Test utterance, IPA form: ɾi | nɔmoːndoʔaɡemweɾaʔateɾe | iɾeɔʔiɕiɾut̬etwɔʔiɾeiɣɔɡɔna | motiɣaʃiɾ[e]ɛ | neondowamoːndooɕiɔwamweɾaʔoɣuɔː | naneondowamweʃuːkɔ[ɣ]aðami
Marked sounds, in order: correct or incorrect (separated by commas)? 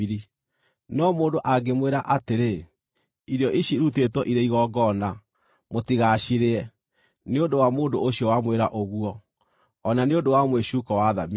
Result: correct, incorrect